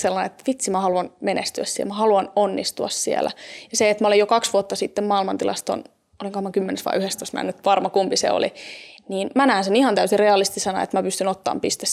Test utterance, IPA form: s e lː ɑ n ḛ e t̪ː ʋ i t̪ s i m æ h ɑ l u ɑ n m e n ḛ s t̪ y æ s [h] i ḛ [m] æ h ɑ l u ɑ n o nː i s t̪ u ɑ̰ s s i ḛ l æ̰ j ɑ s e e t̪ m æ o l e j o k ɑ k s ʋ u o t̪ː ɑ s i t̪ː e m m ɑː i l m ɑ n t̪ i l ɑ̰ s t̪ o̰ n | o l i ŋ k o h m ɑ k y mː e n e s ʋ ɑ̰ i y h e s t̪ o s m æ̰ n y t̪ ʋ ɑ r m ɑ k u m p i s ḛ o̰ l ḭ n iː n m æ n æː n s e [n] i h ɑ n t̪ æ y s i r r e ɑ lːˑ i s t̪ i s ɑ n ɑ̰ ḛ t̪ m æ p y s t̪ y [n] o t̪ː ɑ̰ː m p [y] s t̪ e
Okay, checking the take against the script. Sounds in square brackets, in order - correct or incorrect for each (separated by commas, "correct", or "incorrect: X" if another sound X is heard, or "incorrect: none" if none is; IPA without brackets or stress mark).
incorrect: s, correct, correct, correct, incorrect: i